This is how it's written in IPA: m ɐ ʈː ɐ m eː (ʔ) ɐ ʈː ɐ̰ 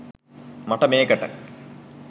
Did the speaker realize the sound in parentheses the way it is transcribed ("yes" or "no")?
no